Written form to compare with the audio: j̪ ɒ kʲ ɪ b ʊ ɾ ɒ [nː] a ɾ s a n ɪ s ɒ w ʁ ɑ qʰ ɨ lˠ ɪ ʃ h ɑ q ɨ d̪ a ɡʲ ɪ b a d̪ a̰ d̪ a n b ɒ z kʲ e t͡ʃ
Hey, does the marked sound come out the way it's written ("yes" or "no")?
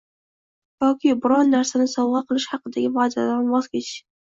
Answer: yes